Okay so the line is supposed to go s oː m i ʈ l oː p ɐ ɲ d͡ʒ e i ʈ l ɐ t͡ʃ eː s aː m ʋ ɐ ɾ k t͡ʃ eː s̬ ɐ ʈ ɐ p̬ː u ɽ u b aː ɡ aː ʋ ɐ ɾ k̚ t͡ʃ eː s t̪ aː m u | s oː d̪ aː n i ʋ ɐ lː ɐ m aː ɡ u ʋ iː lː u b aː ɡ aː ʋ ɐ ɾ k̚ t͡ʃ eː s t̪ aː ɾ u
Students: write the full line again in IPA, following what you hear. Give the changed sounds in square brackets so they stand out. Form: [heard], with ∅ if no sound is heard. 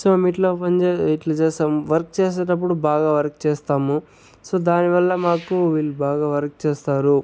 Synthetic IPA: s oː m i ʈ l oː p ɐ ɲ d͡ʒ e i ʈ l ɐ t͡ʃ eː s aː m ʋ ɐ ɾ k t͡ʃ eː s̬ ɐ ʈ ɐ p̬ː u ɽ u b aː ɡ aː ʋ ɐ ɾ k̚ t͡ʃ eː s t̪ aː m u | s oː d̪ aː n i ʋ ɐ lː ɐ m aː [k] u ʋ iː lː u b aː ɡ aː ʋ ɐ ɾ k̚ t͡ʃ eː s t̪ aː ɾ u

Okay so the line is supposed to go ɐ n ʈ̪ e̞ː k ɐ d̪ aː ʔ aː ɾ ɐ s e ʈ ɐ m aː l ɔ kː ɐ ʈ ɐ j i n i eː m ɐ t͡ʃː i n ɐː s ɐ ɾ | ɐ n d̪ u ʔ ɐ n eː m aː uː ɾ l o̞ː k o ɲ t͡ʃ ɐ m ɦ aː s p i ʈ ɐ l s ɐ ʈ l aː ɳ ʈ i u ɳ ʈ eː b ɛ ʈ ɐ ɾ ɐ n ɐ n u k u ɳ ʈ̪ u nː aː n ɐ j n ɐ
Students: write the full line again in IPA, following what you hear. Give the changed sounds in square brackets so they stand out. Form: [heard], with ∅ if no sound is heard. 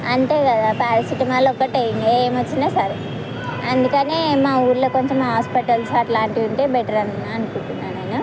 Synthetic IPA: ɐ n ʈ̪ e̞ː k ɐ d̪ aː [p] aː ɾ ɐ s [i] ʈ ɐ m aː l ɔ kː ɐ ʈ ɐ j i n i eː m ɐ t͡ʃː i n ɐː s ɐ ɾ | ɐ n d̪ u [k] ɐ n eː m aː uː ɾ l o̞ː k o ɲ t͡ʃ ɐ m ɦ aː s p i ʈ ɐ l s ɐ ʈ l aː ɳ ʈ i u ɳ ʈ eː b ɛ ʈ ɐ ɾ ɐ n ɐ n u k u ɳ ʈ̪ u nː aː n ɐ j n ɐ

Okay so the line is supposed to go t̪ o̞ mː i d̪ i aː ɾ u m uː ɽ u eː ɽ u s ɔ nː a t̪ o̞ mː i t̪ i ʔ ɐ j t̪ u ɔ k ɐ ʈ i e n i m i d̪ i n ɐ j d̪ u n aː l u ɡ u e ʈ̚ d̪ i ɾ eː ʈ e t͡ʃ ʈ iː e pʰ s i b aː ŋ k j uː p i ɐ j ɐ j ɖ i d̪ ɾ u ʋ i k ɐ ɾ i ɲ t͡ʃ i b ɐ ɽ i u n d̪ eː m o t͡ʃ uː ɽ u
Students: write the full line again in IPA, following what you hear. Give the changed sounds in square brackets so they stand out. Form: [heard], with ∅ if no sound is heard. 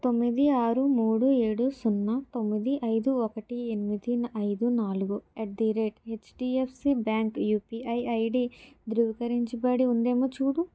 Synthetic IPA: t̪ o̞ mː i d̪ i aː ɾ u m uː ɽ u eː ɽ u s [u] nː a t̪ o̞ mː i [d̪] i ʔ ɐ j [d̪] u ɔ k ɐ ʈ i e n i m i d̪ i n ɐ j d̪ u n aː l u ɡ u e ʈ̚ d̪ i ɾ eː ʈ e t͡ʃ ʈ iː e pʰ s i b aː ŋ k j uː p i ɐ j ɐ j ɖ i d̪ ɾ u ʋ i k ɐ ɾ i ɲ t͡ʃ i b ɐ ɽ i u n d̪ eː m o t͡ʃ uː ɽ u

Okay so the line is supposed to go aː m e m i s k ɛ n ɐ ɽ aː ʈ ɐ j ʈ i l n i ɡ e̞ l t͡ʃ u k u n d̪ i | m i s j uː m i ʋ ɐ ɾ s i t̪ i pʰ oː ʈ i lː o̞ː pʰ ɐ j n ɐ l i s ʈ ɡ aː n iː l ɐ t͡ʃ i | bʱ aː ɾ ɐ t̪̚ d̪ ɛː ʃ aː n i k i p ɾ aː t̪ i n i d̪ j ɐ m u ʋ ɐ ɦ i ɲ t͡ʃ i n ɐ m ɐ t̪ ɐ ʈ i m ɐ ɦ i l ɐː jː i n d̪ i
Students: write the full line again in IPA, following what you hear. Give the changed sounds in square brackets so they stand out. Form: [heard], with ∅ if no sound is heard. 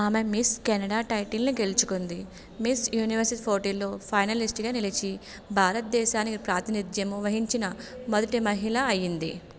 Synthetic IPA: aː m e m i s k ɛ n ɐ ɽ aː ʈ ɐ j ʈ i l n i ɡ e̞ l t͡ʃ u k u n d̪ i | m i s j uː [n] i ʋ ɐ ɾ s i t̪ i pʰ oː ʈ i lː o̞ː pʰ ɐ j n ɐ l i s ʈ ɡ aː n [i] l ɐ t͡ʃ i | bʱ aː ɾ ɐ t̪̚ d̪ ɛː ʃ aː n i k i p ɾ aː t̪ i n i d̪ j ɐ m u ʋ ɐ ɦ i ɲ t͡ʃ i n ɐ m ɐ [d̪] ɐ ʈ i m ɐ ɦ i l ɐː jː i n d̪ i

